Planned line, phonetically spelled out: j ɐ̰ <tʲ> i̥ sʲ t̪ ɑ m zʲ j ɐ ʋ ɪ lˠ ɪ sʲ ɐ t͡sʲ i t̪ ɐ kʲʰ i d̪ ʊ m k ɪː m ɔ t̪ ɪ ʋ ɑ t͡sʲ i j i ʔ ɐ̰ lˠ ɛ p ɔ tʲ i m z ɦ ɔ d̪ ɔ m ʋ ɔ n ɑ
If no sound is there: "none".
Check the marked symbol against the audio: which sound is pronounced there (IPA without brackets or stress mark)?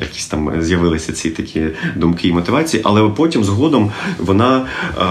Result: kʲ